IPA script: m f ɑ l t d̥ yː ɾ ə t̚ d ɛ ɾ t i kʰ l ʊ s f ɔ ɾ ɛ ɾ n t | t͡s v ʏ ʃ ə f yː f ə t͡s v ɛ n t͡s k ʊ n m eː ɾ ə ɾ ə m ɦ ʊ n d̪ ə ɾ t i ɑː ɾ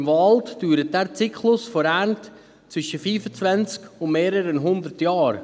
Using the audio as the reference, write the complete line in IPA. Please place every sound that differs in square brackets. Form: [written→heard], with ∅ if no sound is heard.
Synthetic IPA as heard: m [f→v] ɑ l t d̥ yː ɾ ə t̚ d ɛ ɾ [t→t͡s] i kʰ l ʊ s f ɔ ɾ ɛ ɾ n t | t͡s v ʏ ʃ ə f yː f ə t͡s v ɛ n t͡s k ʊ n m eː ɾ ə ɾ ə [m→n] ɦ ʊ n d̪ ə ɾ t [i→j] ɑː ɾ

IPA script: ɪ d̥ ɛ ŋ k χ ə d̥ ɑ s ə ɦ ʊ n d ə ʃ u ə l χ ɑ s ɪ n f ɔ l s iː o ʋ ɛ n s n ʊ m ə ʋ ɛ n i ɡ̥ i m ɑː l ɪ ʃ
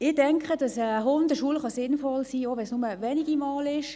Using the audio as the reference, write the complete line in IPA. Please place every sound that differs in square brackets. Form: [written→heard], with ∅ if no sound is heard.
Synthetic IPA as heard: ɪ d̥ ɛ ŋ k χ ə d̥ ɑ s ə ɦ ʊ n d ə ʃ u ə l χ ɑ s ɪ n f ɔ l s iː o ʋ ɛ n s n ʊ m ə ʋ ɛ n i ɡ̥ i m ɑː l ɪ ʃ

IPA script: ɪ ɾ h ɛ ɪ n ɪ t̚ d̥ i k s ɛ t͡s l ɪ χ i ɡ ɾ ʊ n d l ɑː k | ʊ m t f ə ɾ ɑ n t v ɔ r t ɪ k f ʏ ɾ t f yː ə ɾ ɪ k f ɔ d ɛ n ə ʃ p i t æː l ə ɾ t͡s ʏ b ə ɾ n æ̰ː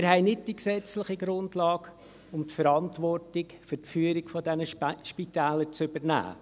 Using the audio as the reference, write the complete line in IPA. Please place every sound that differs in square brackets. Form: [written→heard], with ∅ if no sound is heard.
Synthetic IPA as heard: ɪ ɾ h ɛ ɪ n ɪ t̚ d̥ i k s ɛ t͡s l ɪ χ i ɡ ɾ ʊ n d l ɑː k | ʊ m t f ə ɾ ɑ n t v ɔ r t ɪ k f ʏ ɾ t f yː ə ɾ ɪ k f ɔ d ɛ n ə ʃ p i t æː l ə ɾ t͡s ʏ b ə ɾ n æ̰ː

